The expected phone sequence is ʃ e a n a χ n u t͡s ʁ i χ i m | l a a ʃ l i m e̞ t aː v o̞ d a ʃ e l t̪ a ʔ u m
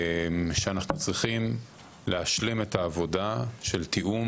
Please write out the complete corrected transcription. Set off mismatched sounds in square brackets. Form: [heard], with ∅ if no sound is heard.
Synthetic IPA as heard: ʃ e a n a χ n u t͡s ʁ i χ i m | l [e] a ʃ l i m e̞ t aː v o̞ d a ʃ e l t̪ [i] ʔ u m